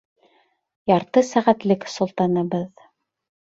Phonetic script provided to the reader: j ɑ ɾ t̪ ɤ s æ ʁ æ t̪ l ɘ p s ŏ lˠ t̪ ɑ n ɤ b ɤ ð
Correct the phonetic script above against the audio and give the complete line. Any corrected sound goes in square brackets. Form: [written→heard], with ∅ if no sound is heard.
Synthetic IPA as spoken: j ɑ ɾ t̪ ɤ s æ ʁ æ t̪ l ɘ [p→k] s ŏ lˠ t̪ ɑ n ɤ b ɤ ð